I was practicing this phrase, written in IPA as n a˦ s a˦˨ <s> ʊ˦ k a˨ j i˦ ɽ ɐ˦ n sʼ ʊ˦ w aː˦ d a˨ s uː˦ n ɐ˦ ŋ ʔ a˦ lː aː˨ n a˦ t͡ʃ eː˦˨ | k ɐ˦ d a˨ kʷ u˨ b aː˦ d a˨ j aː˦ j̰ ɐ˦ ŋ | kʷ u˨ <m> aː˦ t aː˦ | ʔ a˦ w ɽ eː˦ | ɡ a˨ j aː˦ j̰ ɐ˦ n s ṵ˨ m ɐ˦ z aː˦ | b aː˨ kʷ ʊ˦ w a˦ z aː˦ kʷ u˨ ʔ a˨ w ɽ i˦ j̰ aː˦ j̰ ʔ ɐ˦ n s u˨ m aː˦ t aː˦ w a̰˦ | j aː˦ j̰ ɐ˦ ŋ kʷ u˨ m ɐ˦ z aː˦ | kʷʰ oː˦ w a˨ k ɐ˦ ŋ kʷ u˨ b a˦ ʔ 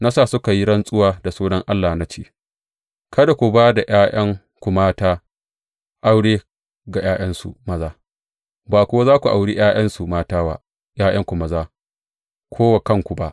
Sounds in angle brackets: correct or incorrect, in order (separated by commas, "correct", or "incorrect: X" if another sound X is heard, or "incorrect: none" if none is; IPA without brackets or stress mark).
correct, correct